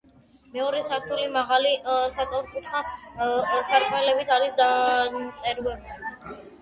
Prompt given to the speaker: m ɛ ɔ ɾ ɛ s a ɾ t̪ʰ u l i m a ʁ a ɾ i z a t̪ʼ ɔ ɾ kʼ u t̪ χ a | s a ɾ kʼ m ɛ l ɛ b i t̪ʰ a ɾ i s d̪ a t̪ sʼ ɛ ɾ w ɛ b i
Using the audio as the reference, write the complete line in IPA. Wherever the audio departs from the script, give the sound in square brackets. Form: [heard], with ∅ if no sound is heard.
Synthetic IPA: m ɛ ɔ ɾ ɛ s a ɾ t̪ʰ u l i m a ʁ a [l] i [s] a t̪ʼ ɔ ɾ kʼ u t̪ χ a | s a ɾ kʼ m ɛ l ɛ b i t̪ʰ a ɾ i s d̪ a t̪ sʼ ɛ ɾ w ɛ b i